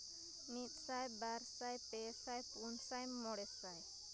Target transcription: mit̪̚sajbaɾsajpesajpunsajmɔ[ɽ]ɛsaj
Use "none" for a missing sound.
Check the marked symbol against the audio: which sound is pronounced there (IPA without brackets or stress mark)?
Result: ɽ